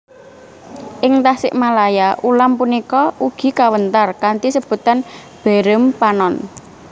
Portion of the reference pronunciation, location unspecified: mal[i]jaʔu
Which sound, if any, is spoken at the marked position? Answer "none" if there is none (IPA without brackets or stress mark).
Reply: a